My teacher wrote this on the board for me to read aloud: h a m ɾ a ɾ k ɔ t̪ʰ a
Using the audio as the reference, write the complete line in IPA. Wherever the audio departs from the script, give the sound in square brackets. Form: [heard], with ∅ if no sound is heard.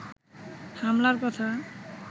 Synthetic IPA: h a m [l] a ɾ k ɔ t̪ʰ a